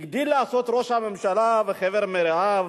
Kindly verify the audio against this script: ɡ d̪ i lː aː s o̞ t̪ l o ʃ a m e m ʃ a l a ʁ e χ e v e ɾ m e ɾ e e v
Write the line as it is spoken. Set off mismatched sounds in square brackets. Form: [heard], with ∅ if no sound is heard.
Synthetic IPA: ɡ d̪ i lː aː s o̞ t̪ [ɾ] o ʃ a m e m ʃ a l a [v] e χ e v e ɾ m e ɾ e [a] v